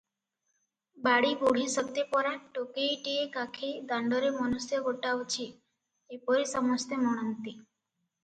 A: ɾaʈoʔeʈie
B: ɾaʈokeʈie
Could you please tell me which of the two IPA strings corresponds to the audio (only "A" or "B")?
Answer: B